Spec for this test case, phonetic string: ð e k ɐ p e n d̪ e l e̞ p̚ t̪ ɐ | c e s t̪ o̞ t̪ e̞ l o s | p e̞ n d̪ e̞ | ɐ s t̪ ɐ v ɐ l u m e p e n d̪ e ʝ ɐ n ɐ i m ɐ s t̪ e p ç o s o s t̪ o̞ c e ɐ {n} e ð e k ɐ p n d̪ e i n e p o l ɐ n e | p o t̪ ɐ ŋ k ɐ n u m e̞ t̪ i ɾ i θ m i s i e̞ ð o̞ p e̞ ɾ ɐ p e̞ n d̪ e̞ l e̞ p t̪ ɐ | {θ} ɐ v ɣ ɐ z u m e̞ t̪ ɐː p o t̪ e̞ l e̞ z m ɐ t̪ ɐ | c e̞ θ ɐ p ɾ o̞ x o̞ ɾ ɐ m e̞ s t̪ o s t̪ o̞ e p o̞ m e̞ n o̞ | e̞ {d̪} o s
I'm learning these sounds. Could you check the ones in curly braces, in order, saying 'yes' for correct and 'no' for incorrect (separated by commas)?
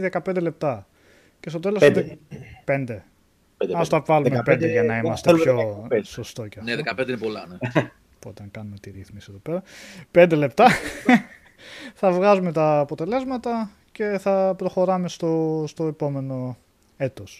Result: yes, yes, no